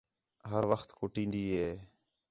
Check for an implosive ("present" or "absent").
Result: absent